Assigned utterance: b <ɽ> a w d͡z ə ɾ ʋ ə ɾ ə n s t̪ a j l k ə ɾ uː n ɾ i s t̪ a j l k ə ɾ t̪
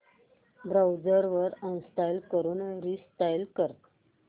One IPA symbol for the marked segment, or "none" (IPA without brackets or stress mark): ɾ